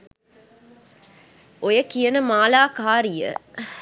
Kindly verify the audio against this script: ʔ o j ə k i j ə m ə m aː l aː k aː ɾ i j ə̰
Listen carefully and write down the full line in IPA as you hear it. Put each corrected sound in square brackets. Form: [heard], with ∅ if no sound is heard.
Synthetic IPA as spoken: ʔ o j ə k i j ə [n] ə m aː l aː k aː ɾ i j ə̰